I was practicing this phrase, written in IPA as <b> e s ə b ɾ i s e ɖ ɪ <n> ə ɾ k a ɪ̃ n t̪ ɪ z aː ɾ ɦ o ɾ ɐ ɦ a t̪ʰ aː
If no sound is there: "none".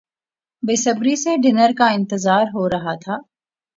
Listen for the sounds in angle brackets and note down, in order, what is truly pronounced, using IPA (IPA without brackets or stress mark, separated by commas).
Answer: b, n